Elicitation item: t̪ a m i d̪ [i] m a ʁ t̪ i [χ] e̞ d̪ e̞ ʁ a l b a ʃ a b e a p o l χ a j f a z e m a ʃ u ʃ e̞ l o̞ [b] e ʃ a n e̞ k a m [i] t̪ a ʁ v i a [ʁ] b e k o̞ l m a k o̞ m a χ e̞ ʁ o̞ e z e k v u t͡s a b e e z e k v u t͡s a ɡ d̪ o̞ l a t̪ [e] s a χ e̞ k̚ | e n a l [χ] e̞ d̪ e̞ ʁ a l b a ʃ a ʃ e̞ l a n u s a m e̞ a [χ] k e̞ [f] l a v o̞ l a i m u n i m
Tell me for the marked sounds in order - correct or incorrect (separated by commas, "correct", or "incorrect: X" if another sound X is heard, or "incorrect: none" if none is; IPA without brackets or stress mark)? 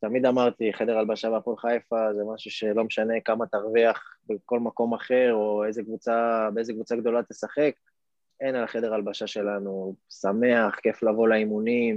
incorrect: a, correct, incorrect: m, incorrect: a, incorrect: χ, correct, correct, correct, correct